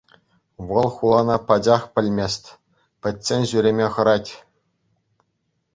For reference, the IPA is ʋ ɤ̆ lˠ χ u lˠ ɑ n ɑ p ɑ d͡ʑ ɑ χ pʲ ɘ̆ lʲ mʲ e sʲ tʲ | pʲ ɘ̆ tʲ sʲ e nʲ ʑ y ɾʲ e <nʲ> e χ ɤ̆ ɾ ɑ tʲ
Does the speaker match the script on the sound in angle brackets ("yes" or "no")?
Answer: no